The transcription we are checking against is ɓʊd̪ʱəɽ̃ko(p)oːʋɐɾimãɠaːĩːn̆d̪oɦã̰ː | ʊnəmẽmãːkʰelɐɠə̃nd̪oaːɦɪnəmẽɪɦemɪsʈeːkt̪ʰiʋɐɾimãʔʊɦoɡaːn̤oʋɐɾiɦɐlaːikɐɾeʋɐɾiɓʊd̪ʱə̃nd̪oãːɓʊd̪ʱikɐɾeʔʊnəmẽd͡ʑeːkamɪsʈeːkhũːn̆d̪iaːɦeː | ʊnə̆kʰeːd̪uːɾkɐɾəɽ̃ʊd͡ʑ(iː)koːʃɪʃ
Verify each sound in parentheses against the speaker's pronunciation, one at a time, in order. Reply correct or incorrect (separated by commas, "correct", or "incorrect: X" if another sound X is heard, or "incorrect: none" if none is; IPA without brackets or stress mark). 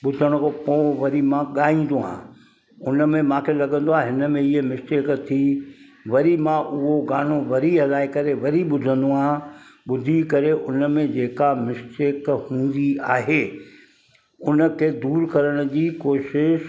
correct, correct